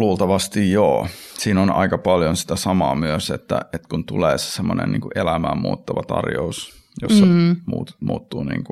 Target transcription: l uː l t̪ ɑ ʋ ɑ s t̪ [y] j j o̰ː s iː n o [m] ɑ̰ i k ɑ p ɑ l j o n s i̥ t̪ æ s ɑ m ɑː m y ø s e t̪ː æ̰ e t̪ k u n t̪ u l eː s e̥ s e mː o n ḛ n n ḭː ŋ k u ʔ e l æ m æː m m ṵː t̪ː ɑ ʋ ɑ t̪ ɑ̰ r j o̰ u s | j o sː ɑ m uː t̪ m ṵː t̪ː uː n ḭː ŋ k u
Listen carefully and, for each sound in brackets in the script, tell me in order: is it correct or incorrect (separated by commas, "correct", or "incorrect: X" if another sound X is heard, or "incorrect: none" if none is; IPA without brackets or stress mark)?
incorrect: i, incorrect: n